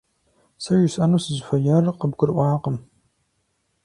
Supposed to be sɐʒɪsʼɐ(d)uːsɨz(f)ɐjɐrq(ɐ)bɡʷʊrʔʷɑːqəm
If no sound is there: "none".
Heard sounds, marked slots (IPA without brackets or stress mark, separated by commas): n, f, ə